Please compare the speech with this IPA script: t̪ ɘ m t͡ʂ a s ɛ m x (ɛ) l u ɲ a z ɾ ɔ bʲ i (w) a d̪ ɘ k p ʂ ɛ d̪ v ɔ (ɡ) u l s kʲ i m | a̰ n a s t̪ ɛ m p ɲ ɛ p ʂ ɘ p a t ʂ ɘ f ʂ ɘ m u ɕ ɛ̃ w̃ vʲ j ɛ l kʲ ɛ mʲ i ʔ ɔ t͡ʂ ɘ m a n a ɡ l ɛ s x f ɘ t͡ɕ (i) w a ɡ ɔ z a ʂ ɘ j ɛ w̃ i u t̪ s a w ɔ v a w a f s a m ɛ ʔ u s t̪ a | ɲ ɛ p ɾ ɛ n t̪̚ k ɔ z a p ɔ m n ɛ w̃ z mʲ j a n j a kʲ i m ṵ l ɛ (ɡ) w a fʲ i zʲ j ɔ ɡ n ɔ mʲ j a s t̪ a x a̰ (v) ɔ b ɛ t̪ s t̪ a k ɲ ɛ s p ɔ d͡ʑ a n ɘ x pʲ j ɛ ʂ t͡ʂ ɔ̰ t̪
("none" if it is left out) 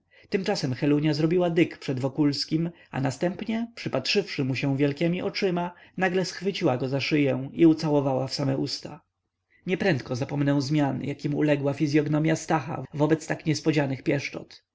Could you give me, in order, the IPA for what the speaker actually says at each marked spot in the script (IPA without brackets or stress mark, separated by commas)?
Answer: ɛ, w, k, i, ɡ, v